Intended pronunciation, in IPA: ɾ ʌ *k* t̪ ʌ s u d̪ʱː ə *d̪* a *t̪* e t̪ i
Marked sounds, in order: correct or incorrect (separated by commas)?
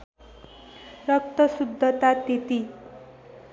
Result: correct, incorrect, correct